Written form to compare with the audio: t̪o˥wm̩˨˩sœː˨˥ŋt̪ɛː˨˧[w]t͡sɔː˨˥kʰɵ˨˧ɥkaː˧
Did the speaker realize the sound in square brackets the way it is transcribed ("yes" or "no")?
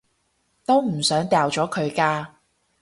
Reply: yes